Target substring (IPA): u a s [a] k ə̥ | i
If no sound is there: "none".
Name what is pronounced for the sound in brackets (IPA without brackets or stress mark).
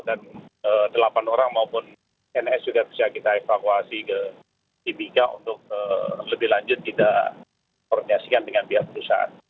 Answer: i